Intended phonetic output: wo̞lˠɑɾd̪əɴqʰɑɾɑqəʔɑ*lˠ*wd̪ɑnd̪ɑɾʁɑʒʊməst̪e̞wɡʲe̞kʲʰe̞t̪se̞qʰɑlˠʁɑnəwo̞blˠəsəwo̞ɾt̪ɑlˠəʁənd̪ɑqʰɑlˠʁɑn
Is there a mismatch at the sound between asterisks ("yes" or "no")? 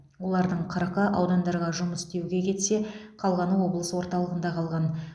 yes